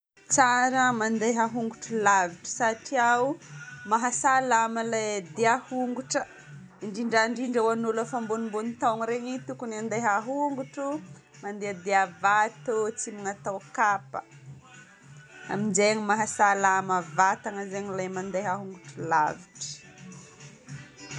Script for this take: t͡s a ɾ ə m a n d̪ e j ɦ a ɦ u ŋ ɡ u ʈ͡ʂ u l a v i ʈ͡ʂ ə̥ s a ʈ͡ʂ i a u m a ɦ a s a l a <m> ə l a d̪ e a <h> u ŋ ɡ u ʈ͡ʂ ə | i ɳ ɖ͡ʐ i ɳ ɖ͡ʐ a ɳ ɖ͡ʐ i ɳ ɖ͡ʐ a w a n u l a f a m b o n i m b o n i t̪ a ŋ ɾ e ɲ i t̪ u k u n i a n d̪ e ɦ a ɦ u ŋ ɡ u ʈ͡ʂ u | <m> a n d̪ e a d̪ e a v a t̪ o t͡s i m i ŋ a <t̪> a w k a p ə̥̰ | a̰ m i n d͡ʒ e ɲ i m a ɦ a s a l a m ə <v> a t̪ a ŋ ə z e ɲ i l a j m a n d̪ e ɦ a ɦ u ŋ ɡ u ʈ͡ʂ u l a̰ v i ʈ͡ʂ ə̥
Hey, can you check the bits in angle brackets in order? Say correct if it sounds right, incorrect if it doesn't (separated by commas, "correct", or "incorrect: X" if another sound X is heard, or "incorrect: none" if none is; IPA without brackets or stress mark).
correct, correct, correct, correct, correct